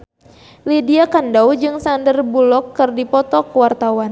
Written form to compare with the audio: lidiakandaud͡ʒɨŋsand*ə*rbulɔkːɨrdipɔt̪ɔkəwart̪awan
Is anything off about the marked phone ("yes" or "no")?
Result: no